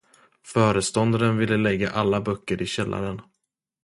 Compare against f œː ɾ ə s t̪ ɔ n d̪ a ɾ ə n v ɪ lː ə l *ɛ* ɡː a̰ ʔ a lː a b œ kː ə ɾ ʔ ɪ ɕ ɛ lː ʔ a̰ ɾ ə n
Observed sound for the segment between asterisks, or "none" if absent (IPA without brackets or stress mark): ɛ